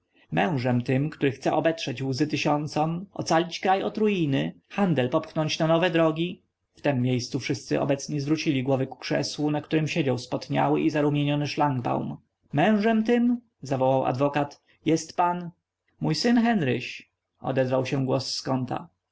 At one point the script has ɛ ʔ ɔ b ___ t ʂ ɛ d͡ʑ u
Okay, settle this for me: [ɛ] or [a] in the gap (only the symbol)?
ɛ